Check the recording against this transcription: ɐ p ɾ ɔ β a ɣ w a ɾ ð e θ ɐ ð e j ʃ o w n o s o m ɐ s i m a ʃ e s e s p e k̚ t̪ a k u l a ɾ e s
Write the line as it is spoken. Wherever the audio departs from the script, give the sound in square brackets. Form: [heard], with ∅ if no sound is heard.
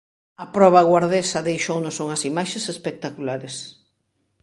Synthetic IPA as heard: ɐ p ɾ ɔ β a ɣ w a ɾ ð e [s] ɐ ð e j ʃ o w n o s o [ŋ] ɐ s i m a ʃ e s e s p e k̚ t̪ a k u l a ɾ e s